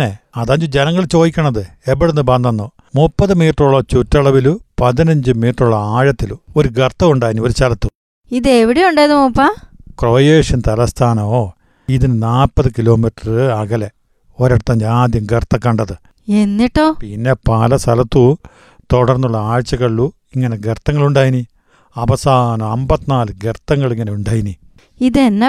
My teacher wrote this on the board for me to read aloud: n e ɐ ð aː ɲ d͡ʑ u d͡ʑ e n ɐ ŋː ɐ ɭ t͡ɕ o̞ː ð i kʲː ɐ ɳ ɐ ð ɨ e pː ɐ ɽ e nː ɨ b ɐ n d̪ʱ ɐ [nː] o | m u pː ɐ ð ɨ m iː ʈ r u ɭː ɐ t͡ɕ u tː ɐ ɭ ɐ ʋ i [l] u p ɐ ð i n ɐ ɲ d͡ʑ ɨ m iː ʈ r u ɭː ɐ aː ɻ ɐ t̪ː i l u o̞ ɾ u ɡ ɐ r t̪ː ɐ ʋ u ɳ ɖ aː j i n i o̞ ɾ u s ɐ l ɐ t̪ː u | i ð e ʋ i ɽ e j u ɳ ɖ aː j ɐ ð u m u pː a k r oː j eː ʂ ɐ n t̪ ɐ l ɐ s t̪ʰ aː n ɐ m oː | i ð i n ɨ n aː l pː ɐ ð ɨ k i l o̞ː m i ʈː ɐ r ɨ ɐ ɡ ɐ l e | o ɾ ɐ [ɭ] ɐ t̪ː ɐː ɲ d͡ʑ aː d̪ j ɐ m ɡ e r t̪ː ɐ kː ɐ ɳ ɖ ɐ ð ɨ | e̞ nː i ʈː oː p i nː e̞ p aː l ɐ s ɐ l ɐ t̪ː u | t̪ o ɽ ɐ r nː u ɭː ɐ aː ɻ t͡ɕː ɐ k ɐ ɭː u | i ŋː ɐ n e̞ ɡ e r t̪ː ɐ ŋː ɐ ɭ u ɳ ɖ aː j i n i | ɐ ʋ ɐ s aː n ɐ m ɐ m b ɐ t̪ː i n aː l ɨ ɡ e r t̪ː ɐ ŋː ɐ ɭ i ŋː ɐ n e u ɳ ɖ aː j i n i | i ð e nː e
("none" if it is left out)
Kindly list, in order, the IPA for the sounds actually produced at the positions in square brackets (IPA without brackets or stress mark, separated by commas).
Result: nː, l, ɽ